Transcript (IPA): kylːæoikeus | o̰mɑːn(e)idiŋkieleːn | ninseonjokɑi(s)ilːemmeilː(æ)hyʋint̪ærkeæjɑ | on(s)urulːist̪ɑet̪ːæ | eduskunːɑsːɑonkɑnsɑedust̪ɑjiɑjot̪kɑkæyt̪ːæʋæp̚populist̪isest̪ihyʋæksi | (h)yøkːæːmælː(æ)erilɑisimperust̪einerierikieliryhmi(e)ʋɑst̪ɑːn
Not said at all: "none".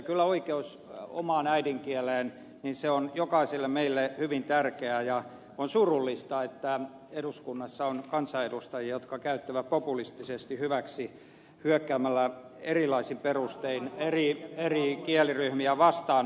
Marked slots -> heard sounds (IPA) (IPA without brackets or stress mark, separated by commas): æ, s, e, s, h, æ, æ